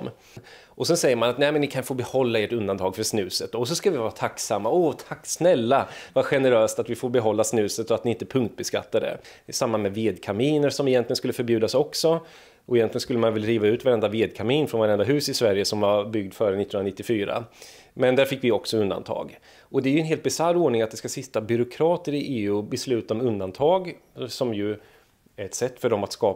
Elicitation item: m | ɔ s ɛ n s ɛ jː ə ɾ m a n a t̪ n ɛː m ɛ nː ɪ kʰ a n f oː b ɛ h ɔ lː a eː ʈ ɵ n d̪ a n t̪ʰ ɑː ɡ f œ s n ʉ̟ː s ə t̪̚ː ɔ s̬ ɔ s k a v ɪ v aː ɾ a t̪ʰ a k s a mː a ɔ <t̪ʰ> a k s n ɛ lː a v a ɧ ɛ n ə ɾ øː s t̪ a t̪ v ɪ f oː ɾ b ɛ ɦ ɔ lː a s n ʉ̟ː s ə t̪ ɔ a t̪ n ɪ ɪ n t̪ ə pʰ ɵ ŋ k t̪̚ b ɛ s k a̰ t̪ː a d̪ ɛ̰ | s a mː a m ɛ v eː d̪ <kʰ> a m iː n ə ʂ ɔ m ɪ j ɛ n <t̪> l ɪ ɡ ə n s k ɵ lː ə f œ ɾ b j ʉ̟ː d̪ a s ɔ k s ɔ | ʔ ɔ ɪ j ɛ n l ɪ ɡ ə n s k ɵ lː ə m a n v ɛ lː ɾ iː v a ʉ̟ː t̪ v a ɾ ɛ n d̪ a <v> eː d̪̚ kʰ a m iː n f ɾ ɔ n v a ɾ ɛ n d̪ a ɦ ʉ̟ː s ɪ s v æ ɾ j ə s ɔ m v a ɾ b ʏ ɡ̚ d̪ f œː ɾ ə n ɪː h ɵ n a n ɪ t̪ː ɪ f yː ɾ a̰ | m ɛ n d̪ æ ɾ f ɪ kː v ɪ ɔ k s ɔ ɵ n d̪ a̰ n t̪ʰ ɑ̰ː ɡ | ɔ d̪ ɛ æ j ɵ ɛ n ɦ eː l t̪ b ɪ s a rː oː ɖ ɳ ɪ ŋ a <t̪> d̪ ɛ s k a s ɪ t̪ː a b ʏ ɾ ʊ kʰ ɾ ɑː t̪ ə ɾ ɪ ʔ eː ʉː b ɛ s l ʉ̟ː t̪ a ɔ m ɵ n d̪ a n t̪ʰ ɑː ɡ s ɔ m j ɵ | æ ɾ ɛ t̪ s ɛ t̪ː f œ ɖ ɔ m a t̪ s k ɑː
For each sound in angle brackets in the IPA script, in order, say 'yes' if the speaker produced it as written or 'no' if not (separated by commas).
yes, yes, yes, yes, yes